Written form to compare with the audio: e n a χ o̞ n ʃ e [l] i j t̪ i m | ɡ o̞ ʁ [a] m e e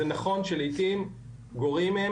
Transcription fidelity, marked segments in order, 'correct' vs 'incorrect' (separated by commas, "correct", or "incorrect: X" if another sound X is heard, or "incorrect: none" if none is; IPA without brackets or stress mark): correct, incorrect: i